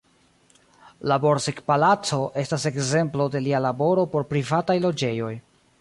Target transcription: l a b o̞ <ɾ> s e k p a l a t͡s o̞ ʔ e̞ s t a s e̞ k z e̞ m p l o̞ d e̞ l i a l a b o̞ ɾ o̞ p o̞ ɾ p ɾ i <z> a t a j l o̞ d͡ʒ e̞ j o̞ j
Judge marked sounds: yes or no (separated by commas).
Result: yes, no